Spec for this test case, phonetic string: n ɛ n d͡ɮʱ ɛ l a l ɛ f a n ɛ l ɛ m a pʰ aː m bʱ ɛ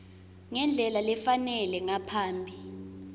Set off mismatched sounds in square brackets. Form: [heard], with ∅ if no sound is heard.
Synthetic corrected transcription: [ŋ] ɛ n d͡ɮʱ ɛ l a l ɛ f a n ɛ l ɛ [ŋ] a pʰ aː m bʱ [i]